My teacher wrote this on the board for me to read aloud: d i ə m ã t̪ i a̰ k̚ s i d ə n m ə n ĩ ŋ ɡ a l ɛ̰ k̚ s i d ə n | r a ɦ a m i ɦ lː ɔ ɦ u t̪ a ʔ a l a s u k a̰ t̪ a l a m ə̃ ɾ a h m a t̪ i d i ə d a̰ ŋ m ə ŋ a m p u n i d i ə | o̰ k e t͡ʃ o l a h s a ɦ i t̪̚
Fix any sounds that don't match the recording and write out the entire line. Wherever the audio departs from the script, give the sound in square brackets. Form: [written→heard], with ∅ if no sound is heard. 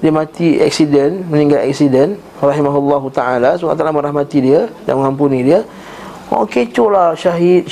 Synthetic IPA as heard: d i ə m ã t̪ i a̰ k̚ s i d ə n m ə n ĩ ŋ ɡ a l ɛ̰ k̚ s i d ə n | r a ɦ [a→i] m [i→a] ɦ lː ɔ ɦ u t̪ a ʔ a l a s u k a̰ t̪ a l a m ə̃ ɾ a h m a t̪ i d i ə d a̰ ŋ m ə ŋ a m p u n i d i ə | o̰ k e t͡ʃ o l a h [s→ʃ] a ɦ i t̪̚